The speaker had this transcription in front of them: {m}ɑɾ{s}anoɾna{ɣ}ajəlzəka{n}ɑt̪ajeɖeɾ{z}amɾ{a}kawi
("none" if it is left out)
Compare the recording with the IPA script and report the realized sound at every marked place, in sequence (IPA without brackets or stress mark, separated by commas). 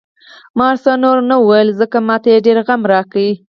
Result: m, s, w, m, ɣ, ɑ